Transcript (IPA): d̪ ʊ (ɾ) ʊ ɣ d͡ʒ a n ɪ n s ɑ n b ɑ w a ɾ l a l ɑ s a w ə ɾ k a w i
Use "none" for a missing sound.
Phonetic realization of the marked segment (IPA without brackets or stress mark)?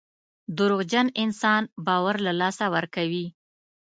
ɾ